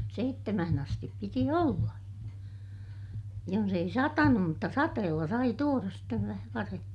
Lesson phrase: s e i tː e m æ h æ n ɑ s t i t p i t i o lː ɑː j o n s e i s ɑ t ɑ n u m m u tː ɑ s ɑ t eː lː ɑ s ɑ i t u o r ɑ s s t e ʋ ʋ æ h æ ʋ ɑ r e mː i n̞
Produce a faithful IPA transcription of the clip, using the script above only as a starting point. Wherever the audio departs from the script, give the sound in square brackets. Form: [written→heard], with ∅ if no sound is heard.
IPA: s e i tː e m æ h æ n ɑ s t i [t→p] p i t i o lː [ɑː→ɑ] j o n s e i s ɑ t ɑ n u m m u tː ɑ s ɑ t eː lː ɑ s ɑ i t u o r ɑ s s t e ʋ ʋ æ h æ ʋ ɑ r e mː i n̞

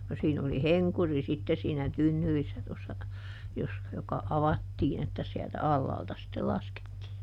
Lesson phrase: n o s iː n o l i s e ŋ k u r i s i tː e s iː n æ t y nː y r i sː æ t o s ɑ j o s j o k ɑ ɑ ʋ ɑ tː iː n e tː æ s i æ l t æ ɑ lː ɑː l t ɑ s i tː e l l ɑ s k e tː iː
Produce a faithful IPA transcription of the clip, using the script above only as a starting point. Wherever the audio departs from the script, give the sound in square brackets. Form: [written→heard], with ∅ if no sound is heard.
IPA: n o s iː n o l i [s→h] e ŋ k u r i s i tː e s iː n æ t y nː y r i sː æ t o [s→sː] ɑ j o s j o k ɑ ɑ ʋ ɑ tː iː n e tː æ s i æ l t æ ɑ lː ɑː l t ɑ s i tː e l l ɑ s k e tː iː

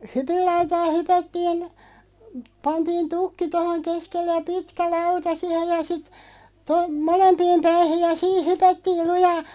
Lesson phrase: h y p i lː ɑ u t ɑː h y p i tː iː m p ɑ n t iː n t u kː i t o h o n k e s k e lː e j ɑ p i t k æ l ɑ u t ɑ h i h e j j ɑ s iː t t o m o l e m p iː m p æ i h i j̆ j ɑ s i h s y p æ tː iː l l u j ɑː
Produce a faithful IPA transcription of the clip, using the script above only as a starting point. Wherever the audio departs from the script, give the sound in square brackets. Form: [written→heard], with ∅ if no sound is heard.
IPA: h y p i lː ɑ u t ɑː h y p [i→æ] tː iː [m→n] p ɑ n t iː n t u kː i t o h o [n→ŋ] k e s k e lː e j ɑ p i t k æ l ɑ u t ɑ [h→s] i h e j j ɑ s [iː→i] t t o m o l e m p iː m p æ i h i j̆ j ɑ s [i→iː] h [s→h] y p æ tː iː l l u j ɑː

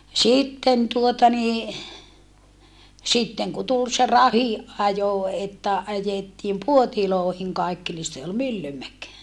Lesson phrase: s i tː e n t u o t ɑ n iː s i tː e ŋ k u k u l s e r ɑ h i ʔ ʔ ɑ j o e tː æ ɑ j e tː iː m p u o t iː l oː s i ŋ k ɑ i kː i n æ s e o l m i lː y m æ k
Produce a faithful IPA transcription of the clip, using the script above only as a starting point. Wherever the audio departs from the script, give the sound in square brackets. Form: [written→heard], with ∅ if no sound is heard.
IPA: s i tː e n t u o t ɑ n iː s i tː e ŋ k u [k→t] u l s e r ɑ h i ʔ ʔ ɑ j o e tː æ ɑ j e tː iː m p u o t [iː→i] l oː [s→h] i ŋ k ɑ i kː i n [æ→i] s e o l m [i→y] lː y m æ k

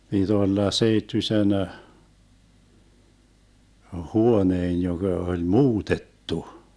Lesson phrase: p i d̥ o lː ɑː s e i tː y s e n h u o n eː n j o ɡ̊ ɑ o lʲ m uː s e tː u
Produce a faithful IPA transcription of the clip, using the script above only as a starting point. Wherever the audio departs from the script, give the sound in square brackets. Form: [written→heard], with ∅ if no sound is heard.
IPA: p i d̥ o lː [ɑː→ɑ] s e i tː y s e n h u o n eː n j o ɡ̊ ɑ o lʲ m uː [s→t] e tː u

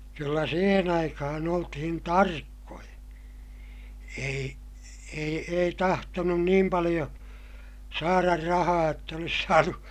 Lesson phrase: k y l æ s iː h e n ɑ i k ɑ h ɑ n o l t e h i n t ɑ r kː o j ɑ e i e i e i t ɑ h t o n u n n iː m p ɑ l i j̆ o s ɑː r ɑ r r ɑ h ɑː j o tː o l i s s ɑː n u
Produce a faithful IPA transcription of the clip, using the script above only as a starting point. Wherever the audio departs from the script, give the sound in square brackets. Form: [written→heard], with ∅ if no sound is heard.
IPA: k y [l→lː] æ s iː h e n ɑ i k ɑ h ɑ n o l t [e→i] h i n t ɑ r kː o j ɑ e i e i e i t ɑ h t o n u n n iː m p ɑ l i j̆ o s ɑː r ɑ r r ɑ h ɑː j o tː o l i s s ɑː n u

